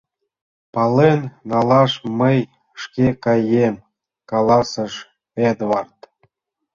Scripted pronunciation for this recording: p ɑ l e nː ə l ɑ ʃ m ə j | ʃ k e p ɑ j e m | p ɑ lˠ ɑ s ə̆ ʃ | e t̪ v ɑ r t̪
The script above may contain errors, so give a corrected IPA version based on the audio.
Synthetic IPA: p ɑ l e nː ɑ l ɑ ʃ m ə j | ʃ k e k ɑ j e m | k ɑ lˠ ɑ s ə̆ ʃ | e d̪ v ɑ r t̪